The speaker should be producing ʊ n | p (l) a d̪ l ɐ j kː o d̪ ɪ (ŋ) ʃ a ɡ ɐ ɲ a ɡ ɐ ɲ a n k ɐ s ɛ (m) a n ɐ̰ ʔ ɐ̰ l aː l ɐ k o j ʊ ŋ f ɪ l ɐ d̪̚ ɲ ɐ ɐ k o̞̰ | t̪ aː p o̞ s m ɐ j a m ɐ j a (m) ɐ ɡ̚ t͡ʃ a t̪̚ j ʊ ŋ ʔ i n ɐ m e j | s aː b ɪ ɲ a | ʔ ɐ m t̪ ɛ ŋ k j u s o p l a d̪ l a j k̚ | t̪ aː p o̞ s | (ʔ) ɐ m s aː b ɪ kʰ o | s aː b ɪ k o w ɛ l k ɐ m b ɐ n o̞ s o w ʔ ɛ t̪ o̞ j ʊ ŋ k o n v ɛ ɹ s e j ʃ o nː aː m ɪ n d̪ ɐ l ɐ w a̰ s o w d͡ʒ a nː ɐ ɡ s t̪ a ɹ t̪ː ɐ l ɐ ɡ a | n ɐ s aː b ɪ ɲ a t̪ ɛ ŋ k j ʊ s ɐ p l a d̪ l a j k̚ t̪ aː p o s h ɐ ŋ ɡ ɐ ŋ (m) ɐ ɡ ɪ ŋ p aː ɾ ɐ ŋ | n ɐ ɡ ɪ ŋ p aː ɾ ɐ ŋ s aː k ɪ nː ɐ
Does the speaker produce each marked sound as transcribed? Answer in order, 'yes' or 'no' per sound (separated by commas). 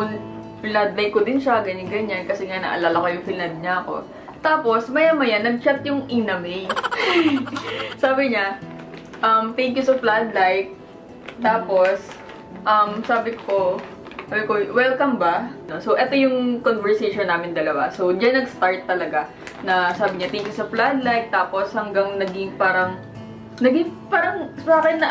yes, no, no, no, yes, no